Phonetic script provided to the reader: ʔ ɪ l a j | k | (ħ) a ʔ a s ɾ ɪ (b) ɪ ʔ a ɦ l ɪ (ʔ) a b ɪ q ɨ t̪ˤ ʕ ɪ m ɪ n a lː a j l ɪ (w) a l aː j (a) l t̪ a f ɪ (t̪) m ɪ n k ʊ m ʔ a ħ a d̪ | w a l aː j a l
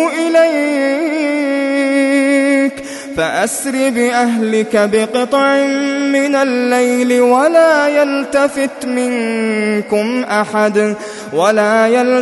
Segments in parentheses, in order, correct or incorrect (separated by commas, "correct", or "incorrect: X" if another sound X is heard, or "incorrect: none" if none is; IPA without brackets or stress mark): incorrect: f, correct, incorrect: k, correct, correct, correct